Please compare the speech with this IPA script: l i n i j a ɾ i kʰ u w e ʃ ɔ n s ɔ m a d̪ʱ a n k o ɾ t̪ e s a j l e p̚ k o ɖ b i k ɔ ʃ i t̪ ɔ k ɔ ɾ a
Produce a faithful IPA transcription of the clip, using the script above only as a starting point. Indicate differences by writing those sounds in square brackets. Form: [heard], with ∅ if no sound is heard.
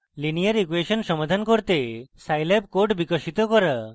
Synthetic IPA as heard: l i n i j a ɾ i [k] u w e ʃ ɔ n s ɔ m a d̪ʱ a n k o ɾ t̪ e s a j l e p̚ k o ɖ b i k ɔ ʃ i t̪ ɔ k ɔ ɾ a